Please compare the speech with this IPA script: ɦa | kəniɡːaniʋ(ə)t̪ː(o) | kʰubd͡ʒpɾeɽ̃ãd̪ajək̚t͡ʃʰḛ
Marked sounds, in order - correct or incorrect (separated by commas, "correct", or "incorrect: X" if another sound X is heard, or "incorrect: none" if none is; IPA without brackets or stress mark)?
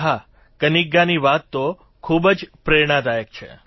incorrect: a, correct